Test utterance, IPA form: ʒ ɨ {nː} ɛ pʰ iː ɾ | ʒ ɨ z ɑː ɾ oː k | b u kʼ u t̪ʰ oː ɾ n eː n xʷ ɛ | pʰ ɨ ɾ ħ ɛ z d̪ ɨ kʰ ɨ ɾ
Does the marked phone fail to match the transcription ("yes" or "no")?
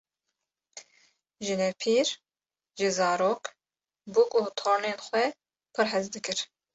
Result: yes